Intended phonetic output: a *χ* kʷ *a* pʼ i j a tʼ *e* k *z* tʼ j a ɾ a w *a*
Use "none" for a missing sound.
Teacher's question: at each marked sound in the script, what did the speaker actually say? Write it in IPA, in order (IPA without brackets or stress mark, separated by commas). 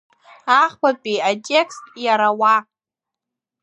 χ, a, e, s, a